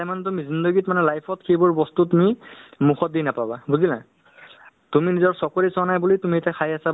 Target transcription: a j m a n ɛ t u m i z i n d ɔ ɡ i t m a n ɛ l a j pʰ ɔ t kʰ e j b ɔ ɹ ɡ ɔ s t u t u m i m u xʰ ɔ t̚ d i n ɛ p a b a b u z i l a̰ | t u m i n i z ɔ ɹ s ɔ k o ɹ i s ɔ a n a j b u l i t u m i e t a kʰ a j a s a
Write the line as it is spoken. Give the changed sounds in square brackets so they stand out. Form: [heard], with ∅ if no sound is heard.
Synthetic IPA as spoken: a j m a n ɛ t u m i z i n d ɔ ɡ i t m a n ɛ l a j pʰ ɔ t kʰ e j b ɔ ɹ [b] ɔ s t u t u m i m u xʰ ɔ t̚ d i n [a] p a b a b u z i l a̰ | t u m i n i z ɔ ɹ s ɔ k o ɹ i s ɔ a n a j b u l i t u m i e t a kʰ a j a s a